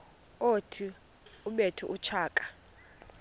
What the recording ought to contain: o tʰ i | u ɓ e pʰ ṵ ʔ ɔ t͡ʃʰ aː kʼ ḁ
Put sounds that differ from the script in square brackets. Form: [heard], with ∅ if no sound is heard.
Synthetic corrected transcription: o tʰ i | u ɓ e [tʰ] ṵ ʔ [u] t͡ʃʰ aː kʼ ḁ